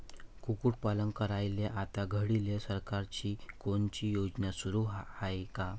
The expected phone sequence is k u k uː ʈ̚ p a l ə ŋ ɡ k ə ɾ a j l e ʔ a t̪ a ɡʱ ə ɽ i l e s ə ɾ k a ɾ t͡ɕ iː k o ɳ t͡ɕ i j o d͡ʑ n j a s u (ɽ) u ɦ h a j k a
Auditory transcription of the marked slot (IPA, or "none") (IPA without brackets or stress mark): ɾ